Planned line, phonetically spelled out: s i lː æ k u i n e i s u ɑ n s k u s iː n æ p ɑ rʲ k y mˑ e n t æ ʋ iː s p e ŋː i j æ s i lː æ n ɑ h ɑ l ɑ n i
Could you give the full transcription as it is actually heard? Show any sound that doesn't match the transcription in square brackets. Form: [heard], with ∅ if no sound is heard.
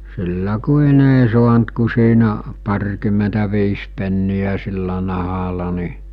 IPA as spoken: s i lː æ k u i n e i s u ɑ n [t] k u s iː n æ p ɑ rʲ k y mˑ e n t æ ʋ iː s p e [nː] i j æ s i lː æ n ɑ h ɑ l ɑ n i